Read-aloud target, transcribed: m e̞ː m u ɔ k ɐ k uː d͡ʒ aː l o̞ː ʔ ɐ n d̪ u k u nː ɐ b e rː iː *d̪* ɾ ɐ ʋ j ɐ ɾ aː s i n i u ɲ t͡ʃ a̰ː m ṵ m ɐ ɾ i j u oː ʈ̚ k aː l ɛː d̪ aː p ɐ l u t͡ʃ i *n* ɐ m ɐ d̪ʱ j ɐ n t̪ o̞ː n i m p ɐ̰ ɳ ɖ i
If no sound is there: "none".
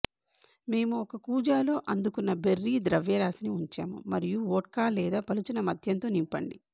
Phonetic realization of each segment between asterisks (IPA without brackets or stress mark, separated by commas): d̪, n